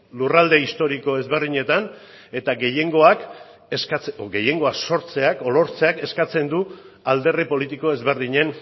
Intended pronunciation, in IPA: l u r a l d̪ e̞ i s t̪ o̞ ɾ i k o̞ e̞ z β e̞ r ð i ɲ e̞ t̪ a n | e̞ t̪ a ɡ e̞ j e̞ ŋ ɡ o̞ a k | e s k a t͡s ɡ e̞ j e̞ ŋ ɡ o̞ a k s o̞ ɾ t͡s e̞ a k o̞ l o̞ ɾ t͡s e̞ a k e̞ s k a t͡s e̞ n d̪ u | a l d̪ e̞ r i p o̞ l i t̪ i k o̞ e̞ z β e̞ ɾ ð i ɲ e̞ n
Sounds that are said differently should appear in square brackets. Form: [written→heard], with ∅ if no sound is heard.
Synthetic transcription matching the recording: l u r a l d̪ e̞ i s t̪ o̞ ɾ i k o̞ e̞ z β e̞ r ð i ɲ e̞ t̪ a n | e̞ t̪ a ɡ e̞ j e̞ ŋ ɡ o̞ a k | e s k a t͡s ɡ e̞ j e̞ ŋ ɡ o̞ a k s o̞ ɾ t͡s e̞ a k o̞ l o̞ ɾ t͡s e̞ a k e̞ s k a t͡s e̞ n d̪ u | a l d̪ e̞ r i p o̞ l i t̪ i k o̞ e̞ z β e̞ ɾ ð i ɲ e̞ n